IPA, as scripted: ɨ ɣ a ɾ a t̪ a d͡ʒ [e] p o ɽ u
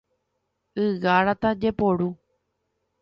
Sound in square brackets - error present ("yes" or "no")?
no